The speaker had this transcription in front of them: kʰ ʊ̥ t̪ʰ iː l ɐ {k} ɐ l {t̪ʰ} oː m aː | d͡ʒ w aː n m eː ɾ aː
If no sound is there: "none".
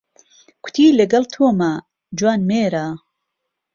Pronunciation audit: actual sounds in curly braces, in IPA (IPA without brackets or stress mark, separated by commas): ɡ, t̪ʰ